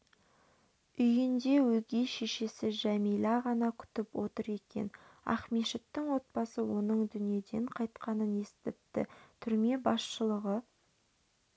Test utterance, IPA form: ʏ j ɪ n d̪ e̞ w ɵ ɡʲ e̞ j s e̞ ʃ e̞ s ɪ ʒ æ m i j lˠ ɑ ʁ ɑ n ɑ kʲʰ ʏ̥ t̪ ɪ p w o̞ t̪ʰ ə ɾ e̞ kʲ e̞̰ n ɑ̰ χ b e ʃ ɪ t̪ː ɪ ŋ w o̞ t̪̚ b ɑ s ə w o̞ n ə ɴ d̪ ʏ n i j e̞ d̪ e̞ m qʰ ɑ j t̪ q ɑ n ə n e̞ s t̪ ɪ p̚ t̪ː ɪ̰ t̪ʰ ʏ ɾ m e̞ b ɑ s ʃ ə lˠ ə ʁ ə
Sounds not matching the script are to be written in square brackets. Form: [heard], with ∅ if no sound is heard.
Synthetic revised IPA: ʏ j ɪ n d̪ e̞ w ɵ ɡʲ e̞ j [ʃ] e̞ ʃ e̞ s ɪ ʒ æ m i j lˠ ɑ ʁ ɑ n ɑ kʲʰ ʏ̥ t̪ ɪ p w o̞ [t̪] ə ɾ e̞ kʲ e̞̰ n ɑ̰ χ [m] e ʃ ɪ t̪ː ɪ ŋ w o̞ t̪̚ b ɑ s ə w o̞ n ə ɴ d̪ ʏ n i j e̞ d̪ e̞ [ɴ] qʰ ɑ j t̪ q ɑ n ə n e̞ s t̪ ɪ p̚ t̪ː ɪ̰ t̪ʰ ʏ ɾ m e̞ b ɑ s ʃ ə lˠ ə ʁ ə

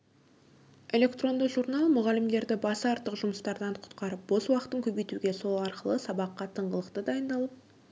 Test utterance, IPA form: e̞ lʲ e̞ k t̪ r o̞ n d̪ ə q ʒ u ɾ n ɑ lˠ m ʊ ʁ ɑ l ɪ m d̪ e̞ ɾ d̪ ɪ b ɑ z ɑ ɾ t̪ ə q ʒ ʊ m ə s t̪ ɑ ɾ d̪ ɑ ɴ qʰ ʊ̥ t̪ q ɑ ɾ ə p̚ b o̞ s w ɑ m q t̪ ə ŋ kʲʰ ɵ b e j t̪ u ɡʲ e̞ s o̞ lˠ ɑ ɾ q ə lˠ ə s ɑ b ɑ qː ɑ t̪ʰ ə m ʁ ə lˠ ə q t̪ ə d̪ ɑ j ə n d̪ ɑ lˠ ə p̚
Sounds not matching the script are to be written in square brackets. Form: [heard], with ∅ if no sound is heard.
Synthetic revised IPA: e̞ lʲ e̞ k t̪ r o̞ n d̪ ə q ʒ u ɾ n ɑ lˠ m ʊ ʁ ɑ l ɪ m d̪ e̞ ɾ d̪ ɪ b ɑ [s] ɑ ɾ t̪ ə q ʒ ʊ m ə s t̪ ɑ ɾ d̪ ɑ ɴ qʰ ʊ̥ t̪ q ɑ ɾ ə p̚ b o̞ s w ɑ [∅] q t̪ ə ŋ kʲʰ ɵ b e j t̪ u ɡʲ e̞ s o̞ lˠ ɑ ɾ q ə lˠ ə s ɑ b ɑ qː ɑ t̪ʰ ə [ɴ] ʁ ə lˠ ə q t̪ ə d̪ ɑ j ə n d̪ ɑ lˠ ə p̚

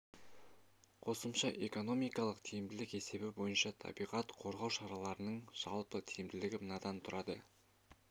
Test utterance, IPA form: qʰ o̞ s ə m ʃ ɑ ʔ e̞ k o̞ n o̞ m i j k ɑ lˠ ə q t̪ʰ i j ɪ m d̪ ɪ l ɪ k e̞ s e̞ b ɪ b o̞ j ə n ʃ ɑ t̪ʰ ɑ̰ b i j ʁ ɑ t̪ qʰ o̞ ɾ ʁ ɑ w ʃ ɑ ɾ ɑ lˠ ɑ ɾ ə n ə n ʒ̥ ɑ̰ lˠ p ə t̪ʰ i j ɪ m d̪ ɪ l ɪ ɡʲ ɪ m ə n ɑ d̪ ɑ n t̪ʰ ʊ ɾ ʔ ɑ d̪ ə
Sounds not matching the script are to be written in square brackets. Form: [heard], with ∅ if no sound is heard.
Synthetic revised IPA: qʰ o̞ s ə m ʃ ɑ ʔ e̞ k o̞ n o̞ m i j k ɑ lˠ ə q t̪ʰ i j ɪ m d̪ ɪ l ɪ k e̞ s e̞ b ɪ b o̞ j ə n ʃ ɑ t̪ʰ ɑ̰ b i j ʁ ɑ t̪ qʰ o̞ ɾ ʁ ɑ w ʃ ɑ ɾ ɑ lˠ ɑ ɾ ə n ə [ɴ] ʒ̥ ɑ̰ lˠ p ə t̪ʰ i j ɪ m d̪ ɪ l ɪ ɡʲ ɪ m ə n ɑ d̪ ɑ n t̪ʰ ʊ ɾ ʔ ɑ d̪ ə

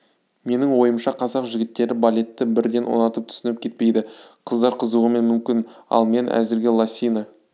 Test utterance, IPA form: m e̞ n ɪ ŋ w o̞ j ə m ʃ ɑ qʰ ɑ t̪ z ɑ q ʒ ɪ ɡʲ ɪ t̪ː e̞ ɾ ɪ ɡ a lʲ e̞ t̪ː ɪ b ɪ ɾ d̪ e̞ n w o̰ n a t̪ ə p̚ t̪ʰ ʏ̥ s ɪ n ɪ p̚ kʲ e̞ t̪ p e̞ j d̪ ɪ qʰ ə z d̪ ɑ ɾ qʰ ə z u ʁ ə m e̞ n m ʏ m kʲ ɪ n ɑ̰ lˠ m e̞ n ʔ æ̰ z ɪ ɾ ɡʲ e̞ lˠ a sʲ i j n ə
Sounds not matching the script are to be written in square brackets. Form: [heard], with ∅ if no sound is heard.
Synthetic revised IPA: m e̞ n ɪ ŋ w o̞ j ə m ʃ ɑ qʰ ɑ [∅] z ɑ q ʒ ɪ ɡʲ ɪ t̪ː e̞ ɾ ɪ [b] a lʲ e̞ t̪ː ɪ b ɪ ɾ d̪ e̞ n w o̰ n [ɑ] t̪ ə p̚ t̪ʰ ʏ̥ s ɪ n ɪ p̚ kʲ e̞ t̪ p e̞ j d̪ ɪ qʰ ə z d̪ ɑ ɾ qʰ ə z u ʁ ə m e̞ n m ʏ m kʲ ɪ n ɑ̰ lˠ m e̞ n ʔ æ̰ z ɪ ɾ ɡʲ e̞ lˠ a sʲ i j n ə

